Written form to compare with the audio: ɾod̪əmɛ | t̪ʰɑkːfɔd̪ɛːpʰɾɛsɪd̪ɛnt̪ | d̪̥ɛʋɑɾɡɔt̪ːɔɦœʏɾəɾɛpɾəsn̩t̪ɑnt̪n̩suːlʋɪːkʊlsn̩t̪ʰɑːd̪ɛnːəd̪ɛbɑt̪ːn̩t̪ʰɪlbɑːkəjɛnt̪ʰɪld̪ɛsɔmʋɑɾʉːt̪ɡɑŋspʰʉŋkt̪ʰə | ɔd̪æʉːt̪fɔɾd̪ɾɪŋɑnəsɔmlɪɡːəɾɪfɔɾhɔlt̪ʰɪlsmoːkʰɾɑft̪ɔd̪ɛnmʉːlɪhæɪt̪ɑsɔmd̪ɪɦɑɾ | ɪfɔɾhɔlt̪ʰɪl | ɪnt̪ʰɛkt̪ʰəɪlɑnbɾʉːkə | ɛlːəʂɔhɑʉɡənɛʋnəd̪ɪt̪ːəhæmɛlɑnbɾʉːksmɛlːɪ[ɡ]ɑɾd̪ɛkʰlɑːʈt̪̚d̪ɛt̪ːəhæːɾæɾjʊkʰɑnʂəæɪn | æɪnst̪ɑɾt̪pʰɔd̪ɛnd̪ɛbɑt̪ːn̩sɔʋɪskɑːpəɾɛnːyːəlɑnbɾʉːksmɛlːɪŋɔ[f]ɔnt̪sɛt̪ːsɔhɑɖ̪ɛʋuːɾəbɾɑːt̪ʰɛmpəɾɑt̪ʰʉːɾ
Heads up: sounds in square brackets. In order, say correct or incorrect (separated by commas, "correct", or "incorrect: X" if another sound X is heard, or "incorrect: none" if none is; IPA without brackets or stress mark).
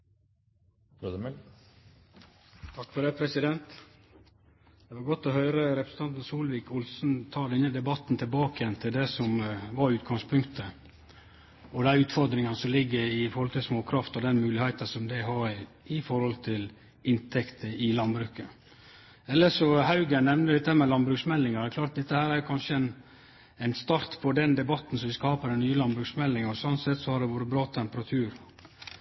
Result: incorrect: ŋ, incorrect: s